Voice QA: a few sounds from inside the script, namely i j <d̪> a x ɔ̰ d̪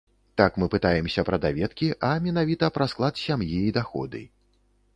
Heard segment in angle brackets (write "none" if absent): d̪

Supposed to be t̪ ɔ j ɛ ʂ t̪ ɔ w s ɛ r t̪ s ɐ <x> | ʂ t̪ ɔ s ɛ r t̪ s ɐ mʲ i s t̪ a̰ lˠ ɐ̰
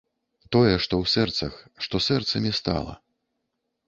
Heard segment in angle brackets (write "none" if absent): x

